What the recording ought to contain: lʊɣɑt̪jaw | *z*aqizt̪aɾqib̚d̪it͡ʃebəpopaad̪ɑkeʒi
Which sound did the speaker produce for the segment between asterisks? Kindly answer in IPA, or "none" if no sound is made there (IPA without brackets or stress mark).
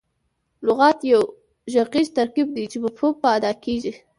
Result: ʒ